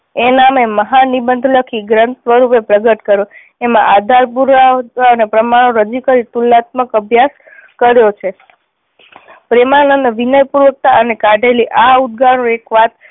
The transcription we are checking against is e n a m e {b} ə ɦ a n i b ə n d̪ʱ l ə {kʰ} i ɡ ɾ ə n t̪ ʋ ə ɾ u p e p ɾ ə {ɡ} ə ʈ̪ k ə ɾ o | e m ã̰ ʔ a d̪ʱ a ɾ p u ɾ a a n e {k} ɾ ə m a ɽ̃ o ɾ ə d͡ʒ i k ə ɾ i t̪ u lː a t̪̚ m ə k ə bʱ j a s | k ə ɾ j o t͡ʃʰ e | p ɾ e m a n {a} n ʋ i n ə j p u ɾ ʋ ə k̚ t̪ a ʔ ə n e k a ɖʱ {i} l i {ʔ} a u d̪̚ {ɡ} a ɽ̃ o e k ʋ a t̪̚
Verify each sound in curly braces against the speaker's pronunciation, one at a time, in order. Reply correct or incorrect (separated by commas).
incorrect, correct, correct, incorrect, incorrect, incorrect, correct, correct